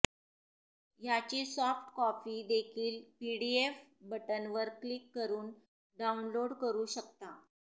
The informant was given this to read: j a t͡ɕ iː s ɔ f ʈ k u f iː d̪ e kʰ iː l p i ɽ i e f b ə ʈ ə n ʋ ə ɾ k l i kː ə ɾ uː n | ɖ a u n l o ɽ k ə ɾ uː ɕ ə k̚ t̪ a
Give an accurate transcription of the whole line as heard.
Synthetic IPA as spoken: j a t͡ɕ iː s ɔ f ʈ k ɔ f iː d̪ e kʰ iː l p i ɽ i e f b ə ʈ ə n ʋ ə ɾ k l i kː ə ɾ uː n | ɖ a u n l o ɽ k ə ɾ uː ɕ ə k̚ t̪ a